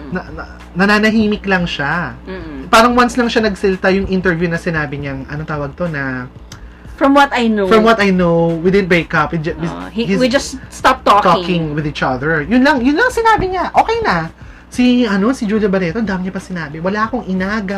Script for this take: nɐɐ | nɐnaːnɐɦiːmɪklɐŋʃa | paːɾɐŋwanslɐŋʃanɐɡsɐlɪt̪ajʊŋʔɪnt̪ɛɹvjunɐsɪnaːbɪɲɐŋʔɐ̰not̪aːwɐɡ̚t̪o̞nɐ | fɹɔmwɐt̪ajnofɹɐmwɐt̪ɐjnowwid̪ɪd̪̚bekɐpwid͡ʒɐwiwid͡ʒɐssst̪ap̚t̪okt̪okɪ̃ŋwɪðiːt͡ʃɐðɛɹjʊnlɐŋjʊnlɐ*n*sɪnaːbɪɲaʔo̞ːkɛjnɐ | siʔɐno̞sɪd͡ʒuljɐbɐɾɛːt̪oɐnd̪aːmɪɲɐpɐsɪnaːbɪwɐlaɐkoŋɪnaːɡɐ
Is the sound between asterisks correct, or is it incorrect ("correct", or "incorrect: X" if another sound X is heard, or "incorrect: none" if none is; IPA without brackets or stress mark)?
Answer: incorrect: ŋ